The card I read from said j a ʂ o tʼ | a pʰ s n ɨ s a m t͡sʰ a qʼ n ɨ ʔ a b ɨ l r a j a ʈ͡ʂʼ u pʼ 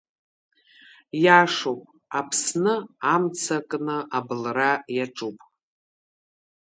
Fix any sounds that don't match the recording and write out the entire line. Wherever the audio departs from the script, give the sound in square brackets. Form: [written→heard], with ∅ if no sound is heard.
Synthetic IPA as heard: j a ʂ o [tʼ→pʼ] | a pʰ s n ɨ [s→∅] a m t͡sʰ a [qʼ→kʼ] n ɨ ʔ a b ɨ l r a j a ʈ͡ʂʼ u pʼ